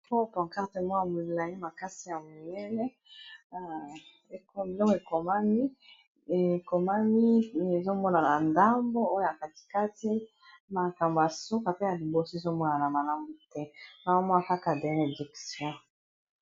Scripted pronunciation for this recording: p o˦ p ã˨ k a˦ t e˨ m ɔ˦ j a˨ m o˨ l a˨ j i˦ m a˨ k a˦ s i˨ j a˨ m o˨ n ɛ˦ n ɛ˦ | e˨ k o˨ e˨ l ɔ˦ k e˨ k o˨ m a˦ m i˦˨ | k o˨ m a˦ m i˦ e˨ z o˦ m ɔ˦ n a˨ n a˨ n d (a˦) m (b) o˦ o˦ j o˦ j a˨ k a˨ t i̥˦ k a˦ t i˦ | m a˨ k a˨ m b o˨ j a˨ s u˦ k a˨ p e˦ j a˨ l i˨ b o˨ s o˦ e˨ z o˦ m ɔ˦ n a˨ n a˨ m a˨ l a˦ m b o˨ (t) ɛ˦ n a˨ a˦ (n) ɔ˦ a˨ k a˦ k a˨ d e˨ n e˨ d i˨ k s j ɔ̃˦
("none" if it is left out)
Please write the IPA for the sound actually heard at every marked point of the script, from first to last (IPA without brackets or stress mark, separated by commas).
a˦, b, t, m